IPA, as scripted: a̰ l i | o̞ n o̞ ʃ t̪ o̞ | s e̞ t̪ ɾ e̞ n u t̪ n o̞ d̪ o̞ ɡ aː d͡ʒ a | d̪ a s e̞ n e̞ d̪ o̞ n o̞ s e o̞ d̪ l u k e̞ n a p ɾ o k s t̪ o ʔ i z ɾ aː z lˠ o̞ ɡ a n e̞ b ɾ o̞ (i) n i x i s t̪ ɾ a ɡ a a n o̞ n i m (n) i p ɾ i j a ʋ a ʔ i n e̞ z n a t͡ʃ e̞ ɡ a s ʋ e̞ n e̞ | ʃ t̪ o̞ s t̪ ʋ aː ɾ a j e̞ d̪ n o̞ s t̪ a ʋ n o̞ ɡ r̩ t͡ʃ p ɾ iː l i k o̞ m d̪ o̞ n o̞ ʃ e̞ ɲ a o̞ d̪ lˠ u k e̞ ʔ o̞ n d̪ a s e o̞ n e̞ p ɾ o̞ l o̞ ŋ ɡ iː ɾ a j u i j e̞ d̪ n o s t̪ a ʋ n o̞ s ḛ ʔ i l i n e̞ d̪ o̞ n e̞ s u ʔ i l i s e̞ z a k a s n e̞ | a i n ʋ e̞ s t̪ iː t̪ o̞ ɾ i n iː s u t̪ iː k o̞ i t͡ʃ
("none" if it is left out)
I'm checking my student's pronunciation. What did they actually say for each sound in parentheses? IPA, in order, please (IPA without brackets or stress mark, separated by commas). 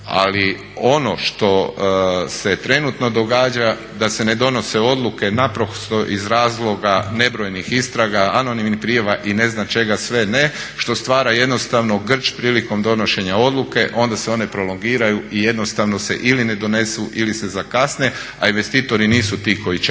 j, n